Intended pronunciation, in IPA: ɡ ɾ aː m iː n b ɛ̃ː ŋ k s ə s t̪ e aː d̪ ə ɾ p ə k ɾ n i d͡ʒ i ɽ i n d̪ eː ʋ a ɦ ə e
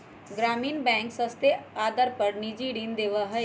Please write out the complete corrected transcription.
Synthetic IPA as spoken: ɡ ɾ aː m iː n b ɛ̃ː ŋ k s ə s t̪ e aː d̪ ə ɾ p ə ɾ n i d͡ʒ i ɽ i n d̪ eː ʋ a ɦ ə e